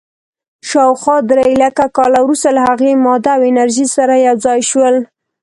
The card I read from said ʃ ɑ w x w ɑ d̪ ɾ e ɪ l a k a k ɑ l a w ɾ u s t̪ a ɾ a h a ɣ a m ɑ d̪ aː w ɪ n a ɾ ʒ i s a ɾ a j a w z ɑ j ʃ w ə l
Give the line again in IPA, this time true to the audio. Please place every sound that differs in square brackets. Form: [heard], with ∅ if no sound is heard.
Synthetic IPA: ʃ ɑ w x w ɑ d̪ ɾ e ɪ l a k a k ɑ l a w ɾ u s t̪ a [l] a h a ɣ [e] m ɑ d̪ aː w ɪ n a ɾ ʒ i s a ɾ a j a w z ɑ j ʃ w ə l